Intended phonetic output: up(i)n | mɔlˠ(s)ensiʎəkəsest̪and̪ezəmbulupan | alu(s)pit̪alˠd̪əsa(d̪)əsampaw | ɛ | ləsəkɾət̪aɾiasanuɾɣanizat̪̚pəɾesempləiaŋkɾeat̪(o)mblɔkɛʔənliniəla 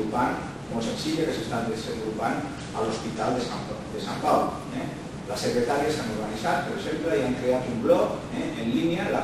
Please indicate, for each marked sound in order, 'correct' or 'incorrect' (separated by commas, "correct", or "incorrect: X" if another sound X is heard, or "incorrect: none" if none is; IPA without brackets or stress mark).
incorrect: a, correct, correct, correct, incorrect: u